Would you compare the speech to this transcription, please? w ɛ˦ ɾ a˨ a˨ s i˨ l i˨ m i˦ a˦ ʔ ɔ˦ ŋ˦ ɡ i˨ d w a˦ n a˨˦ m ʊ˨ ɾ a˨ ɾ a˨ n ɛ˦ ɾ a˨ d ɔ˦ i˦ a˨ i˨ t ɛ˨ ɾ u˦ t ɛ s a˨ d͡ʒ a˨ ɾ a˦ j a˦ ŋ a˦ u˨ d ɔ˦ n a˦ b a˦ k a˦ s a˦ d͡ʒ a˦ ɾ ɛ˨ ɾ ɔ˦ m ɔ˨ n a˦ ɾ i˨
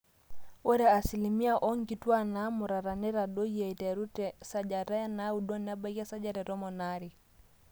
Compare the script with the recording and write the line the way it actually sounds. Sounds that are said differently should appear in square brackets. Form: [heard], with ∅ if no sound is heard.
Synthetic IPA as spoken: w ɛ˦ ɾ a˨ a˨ s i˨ l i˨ m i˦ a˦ ʔ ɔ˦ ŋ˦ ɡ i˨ [t] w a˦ n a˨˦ m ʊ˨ ɾ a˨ ɾ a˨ n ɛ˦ ɾ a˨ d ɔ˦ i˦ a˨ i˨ t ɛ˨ ɾ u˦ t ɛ s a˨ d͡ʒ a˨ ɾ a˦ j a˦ [n] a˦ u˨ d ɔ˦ n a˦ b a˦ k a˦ s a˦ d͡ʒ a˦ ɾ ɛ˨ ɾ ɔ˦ m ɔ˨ n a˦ ɾ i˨